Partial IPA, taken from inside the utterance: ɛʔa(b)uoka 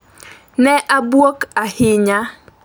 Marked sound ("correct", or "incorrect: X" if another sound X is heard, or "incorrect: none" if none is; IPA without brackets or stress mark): correct